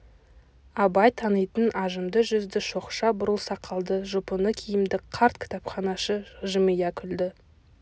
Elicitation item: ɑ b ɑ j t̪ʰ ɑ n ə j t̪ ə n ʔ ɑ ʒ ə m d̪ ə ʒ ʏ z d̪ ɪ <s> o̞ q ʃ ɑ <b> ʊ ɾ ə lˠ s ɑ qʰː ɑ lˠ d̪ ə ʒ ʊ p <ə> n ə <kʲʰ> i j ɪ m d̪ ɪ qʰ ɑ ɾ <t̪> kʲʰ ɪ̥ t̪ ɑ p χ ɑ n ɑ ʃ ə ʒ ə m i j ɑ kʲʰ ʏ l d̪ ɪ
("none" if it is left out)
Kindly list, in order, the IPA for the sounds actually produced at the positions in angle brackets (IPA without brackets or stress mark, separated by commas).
ʃ, b, ə, kʲʰ, t̪